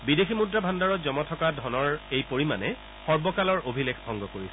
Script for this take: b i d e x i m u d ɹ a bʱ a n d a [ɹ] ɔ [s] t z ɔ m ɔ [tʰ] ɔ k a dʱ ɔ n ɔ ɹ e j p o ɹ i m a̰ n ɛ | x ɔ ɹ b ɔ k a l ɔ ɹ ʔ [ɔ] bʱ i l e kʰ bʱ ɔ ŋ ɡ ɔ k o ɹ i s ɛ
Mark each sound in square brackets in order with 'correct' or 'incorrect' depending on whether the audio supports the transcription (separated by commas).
correct, incorrect, correct, incorrect